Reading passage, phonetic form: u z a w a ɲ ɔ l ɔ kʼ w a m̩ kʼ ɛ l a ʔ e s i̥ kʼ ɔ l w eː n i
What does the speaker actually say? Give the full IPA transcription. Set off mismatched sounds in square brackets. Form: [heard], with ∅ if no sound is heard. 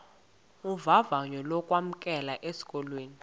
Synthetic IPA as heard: u [v] a [v] a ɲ ɔ l ɔ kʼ w a m̩ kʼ ɛ l a ʔ e s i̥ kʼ ɔ l w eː n i